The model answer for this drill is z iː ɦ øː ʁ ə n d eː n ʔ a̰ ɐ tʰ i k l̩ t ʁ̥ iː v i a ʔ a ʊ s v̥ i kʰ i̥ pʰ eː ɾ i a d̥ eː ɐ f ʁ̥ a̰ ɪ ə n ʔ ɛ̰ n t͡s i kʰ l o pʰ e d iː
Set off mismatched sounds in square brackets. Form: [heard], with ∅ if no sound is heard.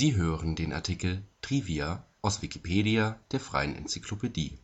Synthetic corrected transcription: z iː ɦ øː ʁ ə n d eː n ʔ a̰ ɐ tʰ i k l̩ t ʁ̥ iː v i a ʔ a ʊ s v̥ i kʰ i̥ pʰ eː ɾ i a d̥ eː ɐ f ʁ̥ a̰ ɪ ə n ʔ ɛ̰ n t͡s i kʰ l o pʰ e d iː